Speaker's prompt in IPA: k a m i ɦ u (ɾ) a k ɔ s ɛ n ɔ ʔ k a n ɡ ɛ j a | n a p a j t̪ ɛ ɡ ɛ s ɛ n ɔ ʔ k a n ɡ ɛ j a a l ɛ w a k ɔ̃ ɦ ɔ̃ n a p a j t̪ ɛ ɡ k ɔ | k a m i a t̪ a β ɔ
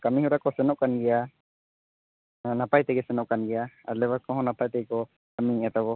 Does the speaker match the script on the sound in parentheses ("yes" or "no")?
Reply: yes